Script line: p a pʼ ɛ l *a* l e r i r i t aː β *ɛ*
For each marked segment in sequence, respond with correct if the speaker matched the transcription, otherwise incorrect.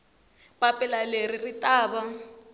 correct, incorrect: a

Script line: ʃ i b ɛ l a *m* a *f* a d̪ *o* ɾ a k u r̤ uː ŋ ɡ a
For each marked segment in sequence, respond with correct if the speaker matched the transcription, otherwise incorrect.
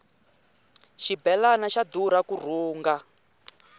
incorrect: n, incorrect: ʃ, incorrect: u

